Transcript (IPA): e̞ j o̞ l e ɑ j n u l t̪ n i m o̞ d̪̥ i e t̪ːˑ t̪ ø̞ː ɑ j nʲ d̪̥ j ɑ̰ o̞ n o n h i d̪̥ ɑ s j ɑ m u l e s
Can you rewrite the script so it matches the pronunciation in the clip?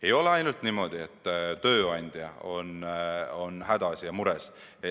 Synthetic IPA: e̞ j o̞ l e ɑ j n u l t̪ n i m o̞ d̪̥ i e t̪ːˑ t̪ ø̞ː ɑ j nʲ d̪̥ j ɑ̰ o̞ n o n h æ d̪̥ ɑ s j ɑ m u ɾ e s